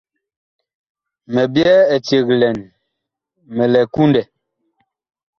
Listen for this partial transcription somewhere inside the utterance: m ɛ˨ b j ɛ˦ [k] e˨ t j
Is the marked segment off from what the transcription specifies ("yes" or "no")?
yes